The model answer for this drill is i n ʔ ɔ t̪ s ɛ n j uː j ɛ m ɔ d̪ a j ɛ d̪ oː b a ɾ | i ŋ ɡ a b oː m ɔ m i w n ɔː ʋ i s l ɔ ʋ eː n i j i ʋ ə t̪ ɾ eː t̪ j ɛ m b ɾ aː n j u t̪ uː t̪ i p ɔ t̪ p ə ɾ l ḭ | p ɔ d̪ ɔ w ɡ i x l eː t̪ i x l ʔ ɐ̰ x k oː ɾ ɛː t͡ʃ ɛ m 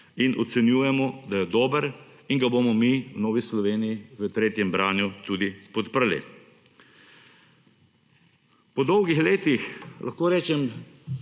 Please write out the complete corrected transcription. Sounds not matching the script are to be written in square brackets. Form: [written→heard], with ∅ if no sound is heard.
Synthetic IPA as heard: i n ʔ ɔ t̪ s ɛ n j uː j ɛ m ɔ d̪ a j ɛ d̪ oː b [a→ə] ɾ | i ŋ ɡ a b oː m ɔ m i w n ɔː ʋ i s l ɔ ʋ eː n i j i ʋ ə t̪ ɾ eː t̪ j ɛ m b ɾ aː n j u t̪ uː [t̪→d̪] i p ɔ t̪ p ə ɾ l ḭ | p ɔ d̪ ɔ w ɡ i x l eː t̪ i x l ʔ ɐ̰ x k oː ɾ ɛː t͡ʃ ɛ m